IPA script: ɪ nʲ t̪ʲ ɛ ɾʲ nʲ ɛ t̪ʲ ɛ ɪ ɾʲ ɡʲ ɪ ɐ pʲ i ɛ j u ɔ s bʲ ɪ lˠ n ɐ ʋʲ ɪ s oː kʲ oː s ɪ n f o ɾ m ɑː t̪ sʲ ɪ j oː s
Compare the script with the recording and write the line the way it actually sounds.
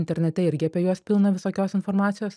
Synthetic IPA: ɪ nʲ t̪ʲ ɛ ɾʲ nʲ ɛ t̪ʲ ɛ ɪ ɾʲ ɡʲ ɪ ɐ pʲ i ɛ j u ɔ s pʲ ɪ lˠ n ɐ ʋʲ ɪ s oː kʲ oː s ɪ n f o ɾ m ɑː t̪ sʲ ɪ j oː s

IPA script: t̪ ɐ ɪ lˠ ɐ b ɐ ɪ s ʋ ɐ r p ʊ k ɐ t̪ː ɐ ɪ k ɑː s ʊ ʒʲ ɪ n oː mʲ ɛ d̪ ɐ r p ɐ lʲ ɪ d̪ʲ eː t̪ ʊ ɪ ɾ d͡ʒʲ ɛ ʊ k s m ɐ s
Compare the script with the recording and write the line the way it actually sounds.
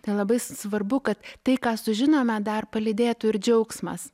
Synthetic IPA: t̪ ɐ ɪ lˠ ɐ b ɐ ɪ s ʋ ɐ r b ʊ k ɐ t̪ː ɐ ɪ k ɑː s ʊ ʒʲ ɪ n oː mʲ ɛ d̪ ɐ r p ɐ lʲ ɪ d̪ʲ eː t̪ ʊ ɪ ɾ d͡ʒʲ ɛ ʊ k s m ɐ s

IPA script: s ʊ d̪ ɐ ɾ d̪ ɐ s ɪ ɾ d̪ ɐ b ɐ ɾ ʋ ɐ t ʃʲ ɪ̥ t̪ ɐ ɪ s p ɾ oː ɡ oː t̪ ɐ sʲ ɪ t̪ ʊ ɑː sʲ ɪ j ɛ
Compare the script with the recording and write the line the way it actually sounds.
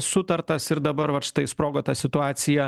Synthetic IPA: s ʊ t̪ ɐ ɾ t̪ ɐ s ɪ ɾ d̪ ɐ b ɐ ɾ ʋ ɐ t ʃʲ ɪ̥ t̪ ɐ ɪ s p ɾ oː ɡ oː t̪ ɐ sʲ ɪ t̪ ʊ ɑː sʲ ɪ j ɛ

